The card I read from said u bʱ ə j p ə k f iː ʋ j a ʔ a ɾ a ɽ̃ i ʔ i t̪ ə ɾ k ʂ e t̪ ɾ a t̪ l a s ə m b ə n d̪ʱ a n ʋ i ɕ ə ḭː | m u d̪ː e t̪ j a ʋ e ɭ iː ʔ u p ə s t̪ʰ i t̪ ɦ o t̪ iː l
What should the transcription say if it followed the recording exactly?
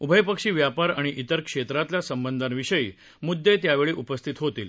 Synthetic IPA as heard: u bʱ ə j p ə k ʂ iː ʋ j a p a ɾ a ɽ̃ i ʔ i t̪ ə ɾ k ʂ e t̪ ɾ a t̪ l a s ə m b ə n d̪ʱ a n ʋ i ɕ ə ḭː | m u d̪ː e t̪ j a ʋ e ɭ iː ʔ u p ə s t̪ʰ i t̪ ɦ o t̪ iː l

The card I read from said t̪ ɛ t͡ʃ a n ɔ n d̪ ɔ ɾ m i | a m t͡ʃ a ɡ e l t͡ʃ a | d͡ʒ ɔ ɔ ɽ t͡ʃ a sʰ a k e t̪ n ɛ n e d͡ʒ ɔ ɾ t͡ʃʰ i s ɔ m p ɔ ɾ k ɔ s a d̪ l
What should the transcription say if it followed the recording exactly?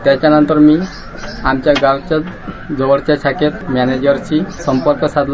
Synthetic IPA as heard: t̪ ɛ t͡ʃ a n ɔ n t̪ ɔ ɾ m i | a m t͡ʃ a ɡ a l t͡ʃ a | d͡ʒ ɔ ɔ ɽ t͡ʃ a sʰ a k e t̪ m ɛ n e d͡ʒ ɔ ɾ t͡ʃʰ i s ɔ m p ɔ ɾ k ɔ s a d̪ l

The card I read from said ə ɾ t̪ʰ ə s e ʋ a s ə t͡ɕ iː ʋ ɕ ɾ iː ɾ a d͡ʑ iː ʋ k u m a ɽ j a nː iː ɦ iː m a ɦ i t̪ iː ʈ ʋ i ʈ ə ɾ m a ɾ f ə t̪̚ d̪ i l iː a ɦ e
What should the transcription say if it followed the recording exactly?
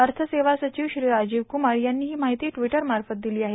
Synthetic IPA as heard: ə ɾ t̪ʰ ə s e ʋ a s ə t͡ɕ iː ʋ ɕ ɾ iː ɾ a d͡ʑ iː ʋ k u m a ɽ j a nː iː ɦ iː m a ɦ i t̪ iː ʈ ʋ i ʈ ə ɾ m a ɾ f ə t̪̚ d̪ i l iː a ɦ e

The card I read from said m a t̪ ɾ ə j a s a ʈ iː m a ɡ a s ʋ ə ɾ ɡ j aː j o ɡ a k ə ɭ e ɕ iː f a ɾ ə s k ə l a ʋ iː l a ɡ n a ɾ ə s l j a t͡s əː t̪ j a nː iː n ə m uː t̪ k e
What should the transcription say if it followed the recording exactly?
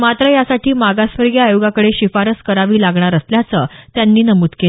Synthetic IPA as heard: m a t̪ ɾ ə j a s a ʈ iː m a ɡ a s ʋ ə ɾ ɡ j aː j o ɡ a k ə ɽ e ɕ i f a ɾ ə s k ə ɾ a ʋ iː l a ɡ ɳ a ɾ ə s l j a t͡s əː t̪ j a nː iː n ə m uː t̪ k e

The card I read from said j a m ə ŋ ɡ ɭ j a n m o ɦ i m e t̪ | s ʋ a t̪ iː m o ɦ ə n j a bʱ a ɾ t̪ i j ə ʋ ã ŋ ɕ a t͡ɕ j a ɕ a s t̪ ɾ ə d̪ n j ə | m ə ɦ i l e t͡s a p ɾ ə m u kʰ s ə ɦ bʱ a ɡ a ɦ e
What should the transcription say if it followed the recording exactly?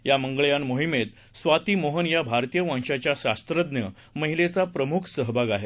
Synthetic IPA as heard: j a m ə ŋ ɡ ɭ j a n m o ɦ i m e t̪ | s ʋ a t̪ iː m o ɦ ə n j a bʱ a ɾ t̪ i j ə ʋ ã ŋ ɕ a t͡ɕ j a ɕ a s t̪ ɾ ə d̪ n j ə | m ə ɦ i l e t͡s a p ɾ ə m u kʰ s ə ɦ bʱ a ɡ a ɦ e

